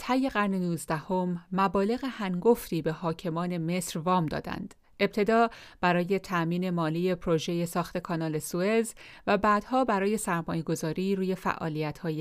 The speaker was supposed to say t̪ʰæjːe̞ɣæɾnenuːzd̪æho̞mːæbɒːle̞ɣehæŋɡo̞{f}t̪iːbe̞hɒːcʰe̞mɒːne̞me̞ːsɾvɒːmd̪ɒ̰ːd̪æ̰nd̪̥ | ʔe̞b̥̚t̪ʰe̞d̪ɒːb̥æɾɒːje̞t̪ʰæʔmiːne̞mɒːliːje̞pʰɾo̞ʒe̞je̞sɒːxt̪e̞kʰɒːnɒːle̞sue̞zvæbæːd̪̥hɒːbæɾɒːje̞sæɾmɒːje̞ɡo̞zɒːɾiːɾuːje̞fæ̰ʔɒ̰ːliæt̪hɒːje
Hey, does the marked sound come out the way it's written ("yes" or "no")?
yes